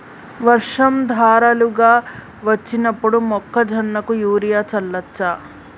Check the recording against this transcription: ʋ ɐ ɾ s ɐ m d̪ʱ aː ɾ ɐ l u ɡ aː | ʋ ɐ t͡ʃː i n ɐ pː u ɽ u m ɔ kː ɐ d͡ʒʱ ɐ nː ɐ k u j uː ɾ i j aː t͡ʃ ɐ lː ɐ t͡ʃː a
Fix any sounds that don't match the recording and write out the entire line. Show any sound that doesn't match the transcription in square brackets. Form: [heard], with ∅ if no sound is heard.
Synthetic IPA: ʋ ɐ ɾ [ʂ] ɐ m d̪ʱ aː ɾ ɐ l u ɡ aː | ʋ ɐ t͡ʃː i n ɐ pː u ɽ u m ɔ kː ɐ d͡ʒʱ ɐ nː ɐ k u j uː ɾ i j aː t͡ʃ ɐ lː ɐ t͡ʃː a